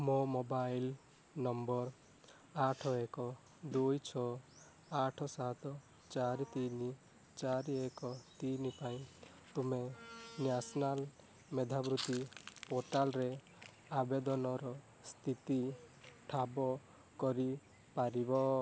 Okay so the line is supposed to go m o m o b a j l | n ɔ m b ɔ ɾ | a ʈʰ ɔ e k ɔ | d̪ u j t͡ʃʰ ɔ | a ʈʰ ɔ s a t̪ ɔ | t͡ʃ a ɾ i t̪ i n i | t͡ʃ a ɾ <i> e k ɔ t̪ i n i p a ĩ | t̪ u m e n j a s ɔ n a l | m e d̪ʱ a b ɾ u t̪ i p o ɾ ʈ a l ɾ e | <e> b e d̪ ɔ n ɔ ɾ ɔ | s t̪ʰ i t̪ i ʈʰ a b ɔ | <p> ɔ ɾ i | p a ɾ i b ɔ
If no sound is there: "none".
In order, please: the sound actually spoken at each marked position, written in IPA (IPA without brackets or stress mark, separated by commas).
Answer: i, a, k